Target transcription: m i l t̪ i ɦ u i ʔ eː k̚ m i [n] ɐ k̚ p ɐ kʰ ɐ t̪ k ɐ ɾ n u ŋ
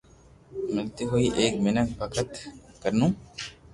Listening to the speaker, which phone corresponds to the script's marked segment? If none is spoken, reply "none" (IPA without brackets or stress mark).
n